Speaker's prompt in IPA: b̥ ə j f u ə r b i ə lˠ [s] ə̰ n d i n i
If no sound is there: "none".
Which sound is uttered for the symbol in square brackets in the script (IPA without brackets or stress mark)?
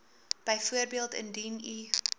t